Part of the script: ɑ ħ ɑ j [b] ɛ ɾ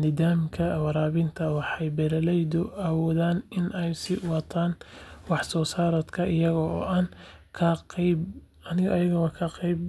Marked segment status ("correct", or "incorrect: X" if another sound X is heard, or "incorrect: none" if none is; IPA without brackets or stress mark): correct